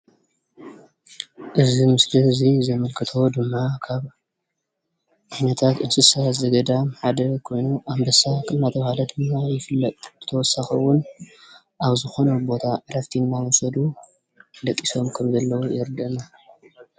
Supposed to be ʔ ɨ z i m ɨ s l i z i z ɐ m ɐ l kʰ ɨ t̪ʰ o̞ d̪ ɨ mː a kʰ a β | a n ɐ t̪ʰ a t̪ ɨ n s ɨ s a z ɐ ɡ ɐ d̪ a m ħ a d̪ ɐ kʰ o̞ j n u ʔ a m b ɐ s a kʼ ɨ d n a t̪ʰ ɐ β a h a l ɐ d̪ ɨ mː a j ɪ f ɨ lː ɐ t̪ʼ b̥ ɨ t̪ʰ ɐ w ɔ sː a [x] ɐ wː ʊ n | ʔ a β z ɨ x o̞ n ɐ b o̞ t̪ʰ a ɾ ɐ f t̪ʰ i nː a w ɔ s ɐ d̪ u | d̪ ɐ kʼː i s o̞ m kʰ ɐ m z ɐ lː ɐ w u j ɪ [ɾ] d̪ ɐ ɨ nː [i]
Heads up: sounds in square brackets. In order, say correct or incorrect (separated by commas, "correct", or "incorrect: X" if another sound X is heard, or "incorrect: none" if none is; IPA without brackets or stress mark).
correct, correct, incorrect: a